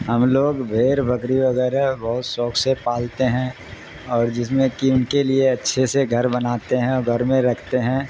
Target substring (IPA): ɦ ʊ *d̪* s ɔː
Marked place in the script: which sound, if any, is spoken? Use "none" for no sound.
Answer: t̪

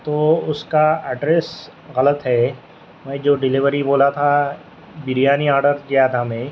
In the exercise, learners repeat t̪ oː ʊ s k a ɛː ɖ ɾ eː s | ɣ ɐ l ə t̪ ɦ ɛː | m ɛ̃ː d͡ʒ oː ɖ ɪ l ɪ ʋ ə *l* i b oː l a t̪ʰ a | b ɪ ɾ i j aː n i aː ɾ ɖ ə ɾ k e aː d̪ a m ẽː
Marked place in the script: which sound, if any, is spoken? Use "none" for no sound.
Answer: ɾ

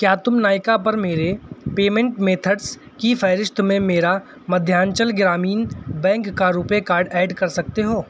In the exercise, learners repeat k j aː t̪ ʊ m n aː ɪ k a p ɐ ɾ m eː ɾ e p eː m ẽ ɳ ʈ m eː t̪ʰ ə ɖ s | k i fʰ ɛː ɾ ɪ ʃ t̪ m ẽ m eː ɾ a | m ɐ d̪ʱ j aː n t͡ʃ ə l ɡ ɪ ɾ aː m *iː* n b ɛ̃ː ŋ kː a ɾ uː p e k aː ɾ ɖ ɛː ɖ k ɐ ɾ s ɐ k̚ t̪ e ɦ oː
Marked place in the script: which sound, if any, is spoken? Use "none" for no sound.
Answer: iː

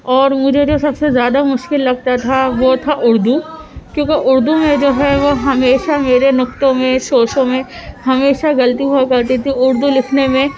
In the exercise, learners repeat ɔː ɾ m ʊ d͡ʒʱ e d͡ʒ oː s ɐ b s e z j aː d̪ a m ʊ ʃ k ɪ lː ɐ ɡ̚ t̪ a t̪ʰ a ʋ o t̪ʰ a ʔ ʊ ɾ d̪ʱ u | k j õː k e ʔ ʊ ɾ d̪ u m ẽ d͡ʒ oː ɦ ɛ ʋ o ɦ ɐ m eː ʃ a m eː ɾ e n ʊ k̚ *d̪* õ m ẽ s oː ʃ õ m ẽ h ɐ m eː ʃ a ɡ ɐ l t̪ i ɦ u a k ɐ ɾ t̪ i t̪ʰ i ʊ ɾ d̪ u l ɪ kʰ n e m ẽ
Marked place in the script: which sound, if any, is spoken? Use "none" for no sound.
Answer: t̪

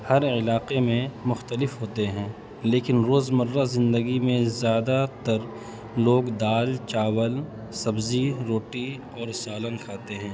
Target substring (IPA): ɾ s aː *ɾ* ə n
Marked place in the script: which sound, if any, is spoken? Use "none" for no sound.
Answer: l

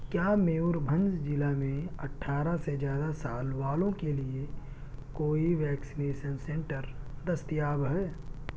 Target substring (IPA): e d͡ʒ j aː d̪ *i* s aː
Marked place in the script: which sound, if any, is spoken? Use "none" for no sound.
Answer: a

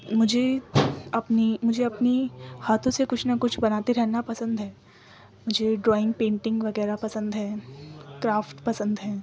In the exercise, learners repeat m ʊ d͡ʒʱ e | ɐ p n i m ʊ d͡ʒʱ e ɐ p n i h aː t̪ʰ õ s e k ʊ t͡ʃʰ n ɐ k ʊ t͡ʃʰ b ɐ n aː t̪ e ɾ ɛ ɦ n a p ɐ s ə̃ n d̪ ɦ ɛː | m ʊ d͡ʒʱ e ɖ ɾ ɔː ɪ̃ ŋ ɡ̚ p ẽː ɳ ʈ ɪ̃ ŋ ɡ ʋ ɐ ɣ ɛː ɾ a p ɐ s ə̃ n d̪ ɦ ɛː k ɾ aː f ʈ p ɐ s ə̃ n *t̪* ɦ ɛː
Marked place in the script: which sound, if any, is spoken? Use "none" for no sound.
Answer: d̪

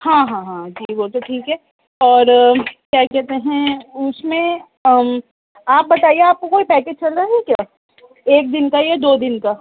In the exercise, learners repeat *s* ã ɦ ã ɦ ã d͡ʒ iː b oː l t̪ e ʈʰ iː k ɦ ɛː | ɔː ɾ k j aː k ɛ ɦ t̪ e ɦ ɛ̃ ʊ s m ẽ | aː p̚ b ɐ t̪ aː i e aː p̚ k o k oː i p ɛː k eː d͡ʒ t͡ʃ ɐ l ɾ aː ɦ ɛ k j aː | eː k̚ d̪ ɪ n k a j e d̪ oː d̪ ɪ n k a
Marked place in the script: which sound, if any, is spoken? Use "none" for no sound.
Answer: h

